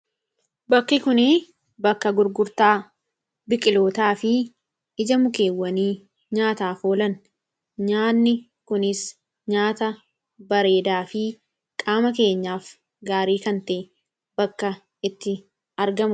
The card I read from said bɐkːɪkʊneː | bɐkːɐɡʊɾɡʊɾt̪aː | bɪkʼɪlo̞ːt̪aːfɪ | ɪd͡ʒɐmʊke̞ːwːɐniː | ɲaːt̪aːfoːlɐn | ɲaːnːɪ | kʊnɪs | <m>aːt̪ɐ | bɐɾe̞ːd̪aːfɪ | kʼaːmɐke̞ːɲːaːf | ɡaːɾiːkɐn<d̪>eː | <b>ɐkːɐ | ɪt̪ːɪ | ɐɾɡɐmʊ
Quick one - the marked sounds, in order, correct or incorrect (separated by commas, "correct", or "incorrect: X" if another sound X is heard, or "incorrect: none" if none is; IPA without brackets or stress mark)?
incorrect: ɲ, incorrect: t̪, correct